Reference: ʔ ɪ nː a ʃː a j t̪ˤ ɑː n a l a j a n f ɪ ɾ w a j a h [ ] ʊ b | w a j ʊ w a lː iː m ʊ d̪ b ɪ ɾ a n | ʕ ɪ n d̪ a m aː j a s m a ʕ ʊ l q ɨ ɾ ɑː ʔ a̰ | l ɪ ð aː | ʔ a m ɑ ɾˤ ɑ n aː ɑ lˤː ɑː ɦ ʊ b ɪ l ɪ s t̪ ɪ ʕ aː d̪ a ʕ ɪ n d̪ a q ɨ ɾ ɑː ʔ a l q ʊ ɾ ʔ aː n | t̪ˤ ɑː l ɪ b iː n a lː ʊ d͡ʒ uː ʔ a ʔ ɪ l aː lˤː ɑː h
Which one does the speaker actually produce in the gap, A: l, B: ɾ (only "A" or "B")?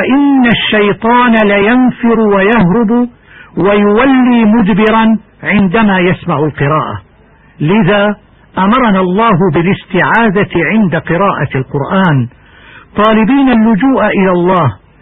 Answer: B